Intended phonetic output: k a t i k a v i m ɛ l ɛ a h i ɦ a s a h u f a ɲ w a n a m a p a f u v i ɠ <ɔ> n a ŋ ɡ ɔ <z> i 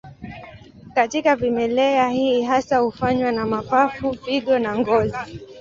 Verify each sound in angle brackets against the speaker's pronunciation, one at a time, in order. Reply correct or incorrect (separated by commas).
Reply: correct, correct